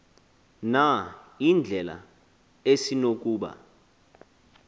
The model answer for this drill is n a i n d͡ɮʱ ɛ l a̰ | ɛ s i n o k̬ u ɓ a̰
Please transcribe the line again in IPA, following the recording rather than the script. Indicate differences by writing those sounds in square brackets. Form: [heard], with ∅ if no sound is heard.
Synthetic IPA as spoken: n a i n d͡ɮʱ ɛ l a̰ | [e] s i n o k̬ [uː] ɓ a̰